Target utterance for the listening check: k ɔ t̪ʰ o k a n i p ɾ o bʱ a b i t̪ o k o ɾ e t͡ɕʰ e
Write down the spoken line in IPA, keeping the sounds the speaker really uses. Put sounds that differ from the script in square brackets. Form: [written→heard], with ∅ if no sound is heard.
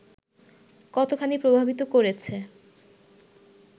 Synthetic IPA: k ɔ [t̪ʰ→t̪] o [k→kʰ] a n i p ɾ o bʱ a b i t̪ o k o ɾ e t͡ɕʰ e